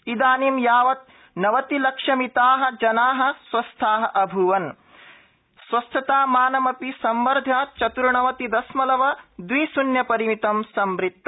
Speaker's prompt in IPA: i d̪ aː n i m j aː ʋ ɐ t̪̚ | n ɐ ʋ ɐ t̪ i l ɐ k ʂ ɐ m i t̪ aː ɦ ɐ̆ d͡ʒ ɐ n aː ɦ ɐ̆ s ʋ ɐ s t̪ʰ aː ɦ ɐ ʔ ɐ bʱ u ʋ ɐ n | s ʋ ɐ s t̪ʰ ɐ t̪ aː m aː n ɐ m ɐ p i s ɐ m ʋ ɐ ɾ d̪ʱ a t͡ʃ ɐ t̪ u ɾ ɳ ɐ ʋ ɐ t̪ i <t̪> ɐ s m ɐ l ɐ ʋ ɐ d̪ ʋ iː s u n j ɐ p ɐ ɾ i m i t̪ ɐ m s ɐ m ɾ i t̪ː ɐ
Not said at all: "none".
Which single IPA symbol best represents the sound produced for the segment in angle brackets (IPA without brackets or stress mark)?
d̪